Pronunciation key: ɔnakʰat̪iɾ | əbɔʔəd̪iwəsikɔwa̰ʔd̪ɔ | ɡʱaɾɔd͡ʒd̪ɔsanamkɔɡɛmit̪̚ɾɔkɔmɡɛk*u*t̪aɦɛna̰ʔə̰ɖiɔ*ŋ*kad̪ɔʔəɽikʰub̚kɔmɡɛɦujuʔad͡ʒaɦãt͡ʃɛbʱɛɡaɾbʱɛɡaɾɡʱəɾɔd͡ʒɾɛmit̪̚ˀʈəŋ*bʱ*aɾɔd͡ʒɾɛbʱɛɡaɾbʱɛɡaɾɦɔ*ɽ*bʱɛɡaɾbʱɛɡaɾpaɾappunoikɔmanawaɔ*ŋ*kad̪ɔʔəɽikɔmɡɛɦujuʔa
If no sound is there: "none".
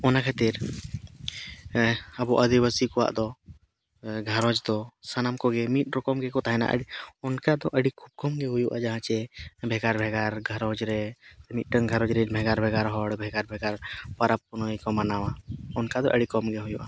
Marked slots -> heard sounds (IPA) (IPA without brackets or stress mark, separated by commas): ɔ, n, ɡʱ, ɽ, n